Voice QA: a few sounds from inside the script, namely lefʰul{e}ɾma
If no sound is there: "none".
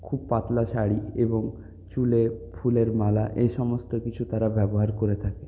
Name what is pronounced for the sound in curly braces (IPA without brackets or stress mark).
e